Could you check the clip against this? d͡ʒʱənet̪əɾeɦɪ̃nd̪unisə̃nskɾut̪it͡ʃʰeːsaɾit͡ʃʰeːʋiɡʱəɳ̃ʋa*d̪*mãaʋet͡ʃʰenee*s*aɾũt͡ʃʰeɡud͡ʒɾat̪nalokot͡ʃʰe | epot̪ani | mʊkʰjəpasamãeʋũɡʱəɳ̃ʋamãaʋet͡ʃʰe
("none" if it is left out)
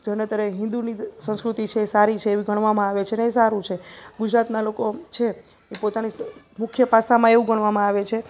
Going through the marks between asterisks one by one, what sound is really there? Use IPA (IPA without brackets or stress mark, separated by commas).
none, s